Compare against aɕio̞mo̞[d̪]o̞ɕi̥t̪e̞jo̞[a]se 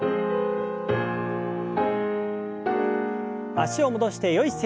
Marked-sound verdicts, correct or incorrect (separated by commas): correct, incorrect